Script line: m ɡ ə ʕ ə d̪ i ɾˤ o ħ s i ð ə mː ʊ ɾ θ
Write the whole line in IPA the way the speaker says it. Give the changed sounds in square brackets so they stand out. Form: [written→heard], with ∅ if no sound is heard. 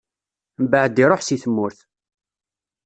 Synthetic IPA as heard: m [ɡ→b] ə ʕ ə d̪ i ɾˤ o ħ s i [ð→θ] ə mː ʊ ɾ θ